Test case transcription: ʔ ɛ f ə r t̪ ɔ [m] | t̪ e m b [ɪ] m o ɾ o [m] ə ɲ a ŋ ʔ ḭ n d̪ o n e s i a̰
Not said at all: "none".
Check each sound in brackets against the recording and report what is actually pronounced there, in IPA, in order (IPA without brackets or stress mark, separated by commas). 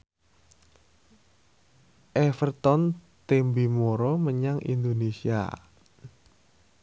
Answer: n, i, m